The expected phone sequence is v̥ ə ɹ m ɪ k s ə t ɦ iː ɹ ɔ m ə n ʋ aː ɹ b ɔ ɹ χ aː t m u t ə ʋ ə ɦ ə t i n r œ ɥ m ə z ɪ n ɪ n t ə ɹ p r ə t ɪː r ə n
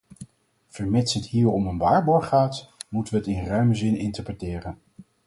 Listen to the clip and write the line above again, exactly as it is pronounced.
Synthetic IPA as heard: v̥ ə ɹ m ɪ t s ə t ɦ iː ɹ ɔ m ə n ʋ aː ɹ b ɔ ɹ χ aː t m u t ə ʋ ə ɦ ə t ɪ n r œ ɥ m ə z ɪ n ɪ n t ə ɹ p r ə t ɪː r ə n